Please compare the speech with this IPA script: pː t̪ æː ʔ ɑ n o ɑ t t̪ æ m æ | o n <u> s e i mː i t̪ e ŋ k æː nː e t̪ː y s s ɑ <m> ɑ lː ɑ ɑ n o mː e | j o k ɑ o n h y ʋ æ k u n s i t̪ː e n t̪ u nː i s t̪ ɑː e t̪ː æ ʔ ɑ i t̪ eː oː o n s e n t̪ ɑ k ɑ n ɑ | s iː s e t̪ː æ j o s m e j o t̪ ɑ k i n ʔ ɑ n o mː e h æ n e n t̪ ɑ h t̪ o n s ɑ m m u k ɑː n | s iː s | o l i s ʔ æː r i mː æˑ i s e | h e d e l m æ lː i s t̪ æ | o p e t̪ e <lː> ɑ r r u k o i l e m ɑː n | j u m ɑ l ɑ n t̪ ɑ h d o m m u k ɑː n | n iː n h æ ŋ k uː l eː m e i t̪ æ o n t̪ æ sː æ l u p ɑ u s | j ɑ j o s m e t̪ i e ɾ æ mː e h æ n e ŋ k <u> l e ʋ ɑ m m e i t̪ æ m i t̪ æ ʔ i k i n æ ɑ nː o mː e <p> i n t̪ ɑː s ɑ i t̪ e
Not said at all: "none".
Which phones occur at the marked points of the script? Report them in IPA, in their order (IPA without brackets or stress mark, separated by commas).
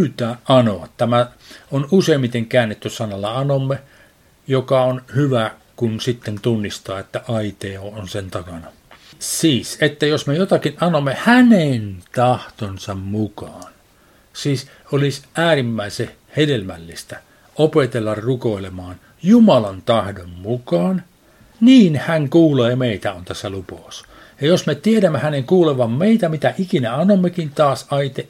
u, n, lː, uː, k